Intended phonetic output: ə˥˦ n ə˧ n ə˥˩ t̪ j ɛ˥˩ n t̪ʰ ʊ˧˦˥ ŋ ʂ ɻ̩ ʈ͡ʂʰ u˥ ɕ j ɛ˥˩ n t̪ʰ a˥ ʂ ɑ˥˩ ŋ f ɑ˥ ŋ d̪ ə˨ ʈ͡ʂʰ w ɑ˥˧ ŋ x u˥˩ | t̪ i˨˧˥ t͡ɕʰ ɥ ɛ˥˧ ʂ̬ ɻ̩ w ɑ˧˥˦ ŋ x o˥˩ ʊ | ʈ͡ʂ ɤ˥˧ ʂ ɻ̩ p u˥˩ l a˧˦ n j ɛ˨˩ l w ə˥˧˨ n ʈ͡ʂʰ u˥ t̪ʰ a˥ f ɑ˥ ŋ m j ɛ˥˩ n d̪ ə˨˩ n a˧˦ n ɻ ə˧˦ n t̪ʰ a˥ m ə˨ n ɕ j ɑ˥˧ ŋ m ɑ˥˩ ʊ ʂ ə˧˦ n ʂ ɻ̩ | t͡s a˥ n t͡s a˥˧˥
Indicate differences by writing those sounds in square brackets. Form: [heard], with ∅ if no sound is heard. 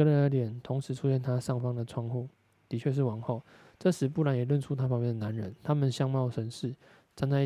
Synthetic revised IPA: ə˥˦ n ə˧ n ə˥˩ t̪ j [ɛ˨˩] n t̪ʰ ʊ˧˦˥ ŋ ʂ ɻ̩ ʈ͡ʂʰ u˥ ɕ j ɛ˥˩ n t̪ʰ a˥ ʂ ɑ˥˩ ŋ f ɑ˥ ŋ d̪ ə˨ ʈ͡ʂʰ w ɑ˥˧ ŋ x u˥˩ | t̪ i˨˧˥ t͡ɕʰ ɥ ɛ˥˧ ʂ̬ ɻ̩ w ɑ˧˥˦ ŋ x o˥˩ ʊ | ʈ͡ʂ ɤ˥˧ ʂ ɻ̩ p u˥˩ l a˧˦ n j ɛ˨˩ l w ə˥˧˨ n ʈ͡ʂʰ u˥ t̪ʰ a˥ f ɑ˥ ŋ m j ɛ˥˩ n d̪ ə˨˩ n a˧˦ n ɻ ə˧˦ n t̪ʰ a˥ m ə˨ n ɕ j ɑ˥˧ ŋ m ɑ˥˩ ʊ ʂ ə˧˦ n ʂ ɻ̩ | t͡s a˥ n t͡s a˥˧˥